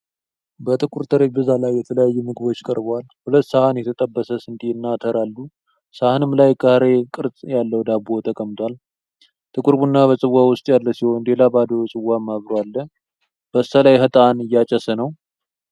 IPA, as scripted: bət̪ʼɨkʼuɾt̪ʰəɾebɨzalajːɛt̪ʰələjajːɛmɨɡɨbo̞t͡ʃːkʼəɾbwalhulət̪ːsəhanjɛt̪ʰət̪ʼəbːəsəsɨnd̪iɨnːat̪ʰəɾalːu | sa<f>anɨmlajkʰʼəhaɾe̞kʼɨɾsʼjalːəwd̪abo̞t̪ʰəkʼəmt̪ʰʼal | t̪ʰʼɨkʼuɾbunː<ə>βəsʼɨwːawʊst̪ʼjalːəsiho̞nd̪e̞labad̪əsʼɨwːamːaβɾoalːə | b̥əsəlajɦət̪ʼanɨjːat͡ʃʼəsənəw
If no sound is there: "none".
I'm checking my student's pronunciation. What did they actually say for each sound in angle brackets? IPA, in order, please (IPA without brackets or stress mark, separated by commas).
h, a